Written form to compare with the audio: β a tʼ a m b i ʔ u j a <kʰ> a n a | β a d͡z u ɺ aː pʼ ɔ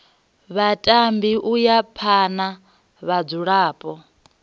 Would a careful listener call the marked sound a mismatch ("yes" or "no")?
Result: yes